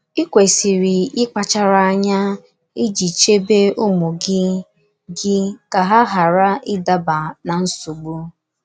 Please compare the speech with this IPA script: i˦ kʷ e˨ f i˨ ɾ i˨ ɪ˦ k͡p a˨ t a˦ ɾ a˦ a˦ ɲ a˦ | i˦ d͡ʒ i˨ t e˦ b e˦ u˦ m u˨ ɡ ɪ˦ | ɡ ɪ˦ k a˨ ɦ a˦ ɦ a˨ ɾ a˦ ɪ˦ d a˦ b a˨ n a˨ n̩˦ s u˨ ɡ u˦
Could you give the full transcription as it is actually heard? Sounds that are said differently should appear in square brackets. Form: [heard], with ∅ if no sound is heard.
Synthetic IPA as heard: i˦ kʷ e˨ [s] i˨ ɾ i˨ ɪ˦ k͡p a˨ [t͡ʃ] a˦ ɾ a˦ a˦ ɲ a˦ | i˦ d͡ʒ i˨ [t͡ʃ] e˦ b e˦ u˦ m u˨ ɡ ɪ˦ | ɡ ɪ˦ k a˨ ɦ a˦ ɦ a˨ ɾ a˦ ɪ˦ d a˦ b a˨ n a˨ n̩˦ s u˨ [ɡ͡b] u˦